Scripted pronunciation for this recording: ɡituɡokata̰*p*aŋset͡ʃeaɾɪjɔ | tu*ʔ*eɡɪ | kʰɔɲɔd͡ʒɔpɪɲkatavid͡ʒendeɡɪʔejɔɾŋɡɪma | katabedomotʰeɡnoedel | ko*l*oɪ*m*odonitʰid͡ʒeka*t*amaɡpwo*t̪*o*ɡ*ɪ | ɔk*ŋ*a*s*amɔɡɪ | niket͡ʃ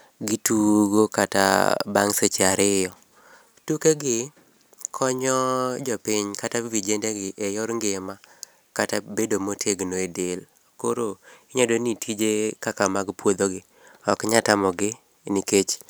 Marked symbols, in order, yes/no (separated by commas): no, no, no, no, no, no, yes, no, no